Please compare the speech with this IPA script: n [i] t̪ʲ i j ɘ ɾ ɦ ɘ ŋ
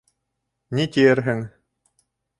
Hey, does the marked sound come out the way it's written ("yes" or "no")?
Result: yes